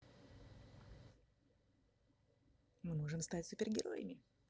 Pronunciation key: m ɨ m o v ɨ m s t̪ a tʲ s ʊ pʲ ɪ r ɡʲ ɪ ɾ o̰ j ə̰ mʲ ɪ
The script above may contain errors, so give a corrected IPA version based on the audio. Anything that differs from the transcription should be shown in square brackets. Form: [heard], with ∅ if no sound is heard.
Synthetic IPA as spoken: m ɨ m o [ʐ] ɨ m s t̪ a tʲ s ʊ pʲ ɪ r ɡʲ ɪ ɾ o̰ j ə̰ mʲ ɪ

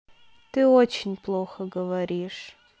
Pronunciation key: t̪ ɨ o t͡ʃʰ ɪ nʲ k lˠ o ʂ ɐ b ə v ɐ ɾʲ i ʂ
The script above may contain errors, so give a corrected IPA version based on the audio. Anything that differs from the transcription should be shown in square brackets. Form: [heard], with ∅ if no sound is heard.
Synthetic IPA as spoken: t̪ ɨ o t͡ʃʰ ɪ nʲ [p] lˠ o [x] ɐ [ɡ] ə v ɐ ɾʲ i ʂ

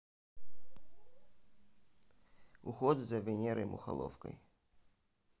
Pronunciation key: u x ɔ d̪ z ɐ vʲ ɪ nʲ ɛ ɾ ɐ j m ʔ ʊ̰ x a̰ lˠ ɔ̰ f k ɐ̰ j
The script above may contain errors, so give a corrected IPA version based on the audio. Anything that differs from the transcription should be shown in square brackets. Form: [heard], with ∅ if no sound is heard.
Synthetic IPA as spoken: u x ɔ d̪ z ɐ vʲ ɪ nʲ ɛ ɾ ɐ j m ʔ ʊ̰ x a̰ lˠ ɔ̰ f k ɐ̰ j

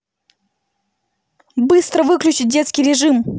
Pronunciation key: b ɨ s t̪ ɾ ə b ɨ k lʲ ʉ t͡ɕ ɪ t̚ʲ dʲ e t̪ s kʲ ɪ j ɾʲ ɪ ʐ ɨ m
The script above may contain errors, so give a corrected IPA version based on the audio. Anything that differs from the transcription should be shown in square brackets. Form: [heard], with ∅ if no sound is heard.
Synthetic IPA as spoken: b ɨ s t̪ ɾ ə [v] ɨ k lʲ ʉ t͡ɕ ɪ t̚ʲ dʲ e t̪ s kʲ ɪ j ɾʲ ɪ ʐ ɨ m

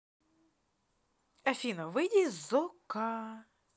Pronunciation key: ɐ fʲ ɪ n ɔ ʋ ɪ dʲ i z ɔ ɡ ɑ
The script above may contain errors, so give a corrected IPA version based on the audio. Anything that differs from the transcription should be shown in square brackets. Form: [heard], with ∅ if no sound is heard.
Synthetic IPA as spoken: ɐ fʲ [i] n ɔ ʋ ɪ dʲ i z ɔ [k] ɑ

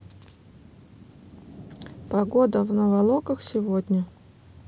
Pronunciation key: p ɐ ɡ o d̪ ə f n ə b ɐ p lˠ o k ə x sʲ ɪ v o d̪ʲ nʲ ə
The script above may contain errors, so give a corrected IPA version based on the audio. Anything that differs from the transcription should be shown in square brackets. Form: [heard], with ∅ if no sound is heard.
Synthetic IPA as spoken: p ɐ ɡ o d̪ ə [v] n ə [v] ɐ [∅] lˠ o k ə x sʲ ɪ v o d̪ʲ nʲ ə

